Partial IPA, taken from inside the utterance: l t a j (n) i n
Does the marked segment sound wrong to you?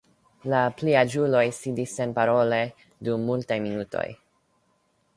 yes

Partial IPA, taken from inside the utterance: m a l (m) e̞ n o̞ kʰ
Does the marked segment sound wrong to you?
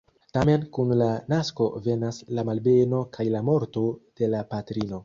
yes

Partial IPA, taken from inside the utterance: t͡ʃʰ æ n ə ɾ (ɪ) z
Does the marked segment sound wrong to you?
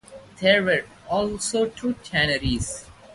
yes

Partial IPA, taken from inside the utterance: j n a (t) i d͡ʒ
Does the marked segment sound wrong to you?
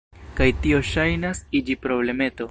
yes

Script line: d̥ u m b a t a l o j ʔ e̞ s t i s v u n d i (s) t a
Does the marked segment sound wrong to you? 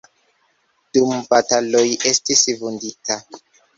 yes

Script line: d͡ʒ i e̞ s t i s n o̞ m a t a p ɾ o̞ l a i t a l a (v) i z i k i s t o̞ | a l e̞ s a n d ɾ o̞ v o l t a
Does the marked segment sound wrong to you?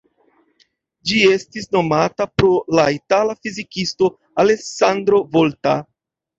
yes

